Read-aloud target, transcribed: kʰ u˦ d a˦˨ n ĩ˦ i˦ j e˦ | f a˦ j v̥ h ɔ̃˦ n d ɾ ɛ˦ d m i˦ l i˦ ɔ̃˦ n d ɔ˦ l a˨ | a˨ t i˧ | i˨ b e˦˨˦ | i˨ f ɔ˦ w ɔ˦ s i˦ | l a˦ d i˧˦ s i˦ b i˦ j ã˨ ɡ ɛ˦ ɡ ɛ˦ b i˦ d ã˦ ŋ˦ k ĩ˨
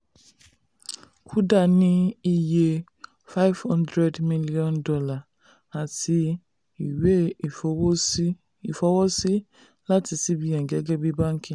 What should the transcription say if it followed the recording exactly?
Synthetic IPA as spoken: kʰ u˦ d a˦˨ n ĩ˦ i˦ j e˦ | f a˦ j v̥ h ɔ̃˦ n d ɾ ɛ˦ d m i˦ l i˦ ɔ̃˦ n d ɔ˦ l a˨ | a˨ t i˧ | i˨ w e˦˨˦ | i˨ f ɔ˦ w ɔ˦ s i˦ | l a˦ t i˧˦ s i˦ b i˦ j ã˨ ɡ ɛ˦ ɡ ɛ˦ b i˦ b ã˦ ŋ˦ k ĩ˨

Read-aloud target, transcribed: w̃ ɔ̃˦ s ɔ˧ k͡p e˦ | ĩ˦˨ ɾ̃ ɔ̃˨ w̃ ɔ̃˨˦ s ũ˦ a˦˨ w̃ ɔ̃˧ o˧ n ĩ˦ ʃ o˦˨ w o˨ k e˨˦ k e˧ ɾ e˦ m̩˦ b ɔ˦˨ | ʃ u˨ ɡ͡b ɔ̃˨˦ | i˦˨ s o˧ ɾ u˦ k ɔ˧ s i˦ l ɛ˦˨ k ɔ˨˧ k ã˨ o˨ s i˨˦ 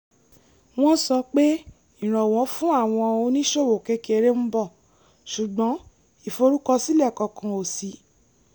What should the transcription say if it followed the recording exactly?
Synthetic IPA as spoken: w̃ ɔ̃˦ s ɔ˧ k͡p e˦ | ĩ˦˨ ɾ̃ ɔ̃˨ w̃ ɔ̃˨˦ f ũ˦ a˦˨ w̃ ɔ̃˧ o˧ n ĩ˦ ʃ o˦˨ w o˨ k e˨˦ k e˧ ɾ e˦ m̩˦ b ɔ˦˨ | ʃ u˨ ɡ͡b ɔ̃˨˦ | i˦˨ f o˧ ɾ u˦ k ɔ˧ s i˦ l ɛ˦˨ k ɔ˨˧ k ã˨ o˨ s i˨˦

